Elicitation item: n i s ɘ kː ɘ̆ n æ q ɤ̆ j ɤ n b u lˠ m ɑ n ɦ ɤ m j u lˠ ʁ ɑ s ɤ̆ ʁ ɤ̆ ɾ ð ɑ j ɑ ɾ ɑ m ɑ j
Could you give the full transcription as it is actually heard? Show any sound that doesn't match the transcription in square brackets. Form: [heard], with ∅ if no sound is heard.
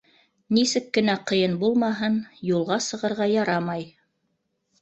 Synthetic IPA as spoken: n i s ɘ kː ɘ̆ n æ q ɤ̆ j ɤ n b u lˠ m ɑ [∅] ɦ ɤ [n] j u lˠ ʁ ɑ s ɤ̆ ʁ ɤ̆ ɾ [ʁ] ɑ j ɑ ɾ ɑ m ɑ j